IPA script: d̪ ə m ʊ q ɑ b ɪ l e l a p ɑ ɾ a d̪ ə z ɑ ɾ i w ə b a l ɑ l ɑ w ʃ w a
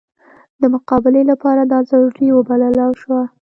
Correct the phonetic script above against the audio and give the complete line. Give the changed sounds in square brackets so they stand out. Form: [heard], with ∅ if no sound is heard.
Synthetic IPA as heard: d̪ ə m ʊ q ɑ b ɪ l e l a p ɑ ɾ a d̪ [ɑ] z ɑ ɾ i w ə b a l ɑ l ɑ w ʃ w a